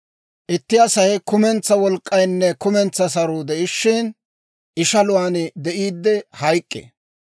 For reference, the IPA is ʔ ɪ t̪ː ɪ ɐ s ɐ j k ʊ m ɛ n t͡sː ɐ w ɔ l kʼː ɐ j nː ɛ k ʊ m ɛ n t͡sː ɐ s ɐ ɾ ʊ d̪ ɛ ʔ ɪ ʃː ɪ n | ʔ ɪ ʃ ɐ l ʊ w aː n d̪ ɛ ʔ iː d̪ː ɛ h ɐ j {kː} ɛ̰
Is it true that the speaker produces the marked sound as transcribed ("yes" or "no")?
no